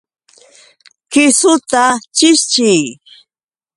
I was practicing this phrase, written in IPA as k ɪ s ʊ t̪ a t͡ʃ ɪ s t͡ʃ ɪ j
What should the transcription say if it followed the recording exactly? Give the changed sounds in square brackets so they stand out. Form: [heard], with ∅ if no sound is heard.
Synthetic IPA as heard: k ɪ s ʊ t̪ a t͡ʃ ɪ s t͡ʃ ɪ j